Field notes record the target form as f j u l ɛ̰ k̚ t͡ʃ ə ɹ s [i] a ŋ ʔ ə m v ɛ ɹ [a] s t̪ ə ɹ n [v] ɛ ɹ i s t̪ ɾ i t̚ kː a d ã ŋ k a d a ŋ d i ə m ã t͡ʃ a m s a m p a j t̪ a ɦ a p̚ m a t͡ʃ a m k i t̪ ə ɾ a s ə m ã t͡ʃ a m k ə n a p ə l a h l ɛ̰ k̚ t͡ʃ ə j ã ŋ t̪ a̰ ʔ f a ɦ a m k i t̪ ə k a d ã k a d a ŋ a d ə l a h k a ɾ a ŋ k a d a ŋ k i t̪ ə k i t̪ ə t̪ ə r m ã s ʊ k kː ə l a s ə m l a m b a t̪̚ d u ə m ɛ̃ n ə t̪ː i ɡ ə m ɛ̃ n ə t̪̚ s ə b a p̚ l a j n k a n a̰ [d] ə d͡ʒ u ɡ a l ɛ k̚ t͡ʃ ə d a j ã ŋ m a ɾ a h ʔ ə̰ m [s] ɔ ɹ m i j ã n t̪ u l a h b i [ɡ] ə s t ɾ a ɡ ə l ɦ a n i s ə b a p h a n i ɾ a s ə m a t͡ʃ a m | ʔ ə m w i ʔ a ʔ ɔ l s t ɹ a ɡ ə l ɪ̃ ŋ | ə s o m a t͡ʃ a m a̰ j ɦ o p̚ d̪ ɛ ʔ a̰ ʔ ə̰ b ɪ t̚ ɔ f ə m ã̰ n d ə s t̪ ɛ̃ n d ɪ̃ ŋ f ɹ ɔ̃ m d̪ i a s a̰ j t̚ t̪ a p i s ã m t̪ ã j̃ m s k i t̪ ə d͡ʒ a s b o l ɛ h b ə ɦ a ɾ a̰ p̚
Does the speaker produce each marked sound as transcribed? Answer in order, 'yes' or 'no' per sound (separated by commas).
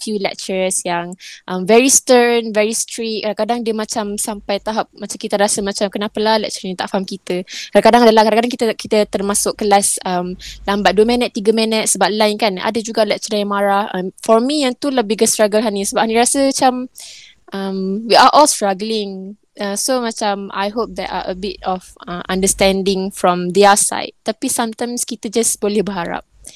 no, no, yes, yes, no, yes